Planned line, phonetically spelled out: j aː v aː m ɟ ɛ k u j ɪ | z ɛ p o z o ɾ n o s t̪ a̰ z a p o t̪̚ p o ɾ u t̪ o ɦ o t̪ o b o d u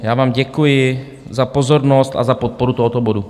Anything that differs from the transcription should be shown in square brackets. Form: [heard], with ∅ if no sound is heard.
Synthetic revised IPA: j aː v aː m ɟ ɛ k u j ɪ | z [a] p o z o ɾ n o s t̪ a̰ z a p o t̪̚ p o ɾ u t̪ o ɦ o t̪ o b o d u